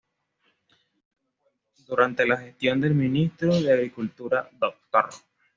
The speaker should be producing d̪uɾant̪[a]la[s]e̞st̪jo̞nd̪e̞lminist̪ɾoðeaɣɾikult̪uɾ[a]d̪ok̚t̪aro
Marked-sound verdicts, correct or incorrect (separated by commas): incorrect, incorrect, correct